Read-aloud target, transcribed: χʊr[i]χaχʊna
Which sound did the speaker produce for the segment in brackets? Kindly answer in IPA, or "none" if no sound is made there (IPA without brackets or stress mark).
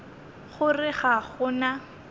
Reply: ɪ